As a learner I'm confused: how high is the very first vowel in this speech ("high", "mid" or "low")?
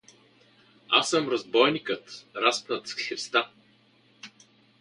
low